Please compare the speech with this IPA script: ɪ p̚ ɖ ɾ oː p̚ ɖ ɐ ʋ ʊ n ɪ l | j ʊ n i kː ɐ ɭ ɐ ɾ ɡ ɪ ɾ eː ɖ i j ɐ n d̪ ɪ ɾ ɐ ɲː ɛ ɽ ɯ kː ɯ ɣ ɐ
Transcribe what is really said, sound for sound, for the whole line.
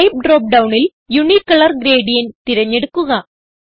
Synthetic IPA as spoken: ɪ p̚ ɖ ɾ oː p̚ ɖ ɐ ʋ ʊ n ɪ l | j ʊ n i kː ɐ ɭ ɐ ɾ ɡ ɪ ɾ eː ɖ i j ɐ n t̪ ɪ ɾ ɐ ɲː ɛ ɽ ɯ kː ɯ ɣ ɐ